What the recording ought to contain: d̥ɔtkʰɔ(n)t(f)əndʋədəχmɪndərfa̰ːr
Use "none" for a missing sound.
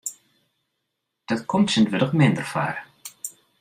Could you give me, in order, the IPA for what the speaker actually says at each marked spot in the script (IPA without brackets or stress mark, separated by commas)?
m, s